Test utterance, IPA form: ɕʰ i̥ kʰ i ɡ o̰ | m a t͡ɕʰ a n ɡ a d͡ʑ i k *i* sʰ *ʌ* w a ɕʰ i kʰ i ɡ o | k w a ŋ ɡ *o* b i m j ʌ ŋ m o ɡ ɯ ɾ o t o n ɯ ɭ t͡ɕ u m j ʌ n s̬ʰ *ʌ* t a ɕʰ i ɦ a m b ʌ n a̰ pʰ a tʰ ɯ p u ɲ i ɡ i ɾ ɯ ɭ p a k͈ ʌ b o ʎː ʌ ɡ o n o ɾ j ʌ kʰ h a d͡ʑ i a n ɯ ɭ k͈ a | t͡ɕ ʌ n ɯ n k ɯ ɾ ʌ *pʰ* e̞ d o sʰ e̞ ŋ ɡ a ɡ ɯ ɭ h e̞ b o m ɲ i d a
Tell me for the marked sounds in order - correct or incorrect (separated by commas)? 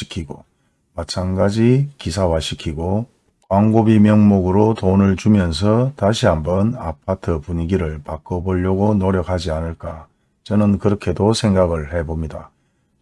correct, incorrect, correct, correct, incorrect